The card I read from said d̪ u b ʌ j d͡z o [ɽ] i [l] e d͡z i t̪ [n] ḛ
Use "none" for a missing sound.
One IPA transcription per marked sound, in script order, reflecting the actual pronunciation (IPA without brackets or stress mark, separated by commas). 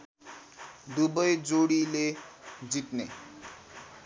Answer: ɽ, l, n